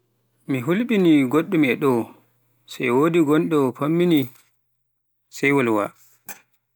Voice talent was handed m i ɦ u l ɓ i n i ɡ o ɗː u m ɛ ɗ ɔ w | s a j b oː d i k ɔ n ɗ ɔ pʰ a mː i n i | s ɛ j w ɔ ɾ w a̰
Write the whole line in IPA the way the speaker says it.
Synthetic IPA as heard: m i ɦ u l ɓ i n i ɡ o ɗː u m ɛ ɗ ɔ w | s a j w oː d i ɡ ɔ n ɗ ɔ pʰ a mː i n i | s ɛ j w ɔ l w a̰